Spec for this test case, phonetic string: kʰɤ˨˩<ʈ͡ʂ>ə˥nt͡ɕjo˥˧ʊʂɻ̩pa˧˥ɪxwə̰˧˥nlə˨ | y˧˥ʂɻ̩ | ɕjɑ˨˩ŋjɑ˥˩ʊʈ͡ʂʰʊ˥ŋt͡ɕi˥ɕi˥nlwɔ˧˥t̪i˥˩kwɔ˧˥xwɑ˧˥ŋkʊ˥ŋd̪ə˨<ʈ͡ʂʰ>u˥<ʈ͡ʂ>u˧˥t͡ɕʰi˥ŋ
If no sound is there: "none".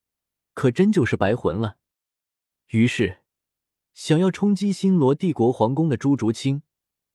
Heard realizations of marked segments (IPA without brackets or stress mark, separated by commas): ʈ͡ʂ, ʈ͡ʂ, ʈ͡ʂ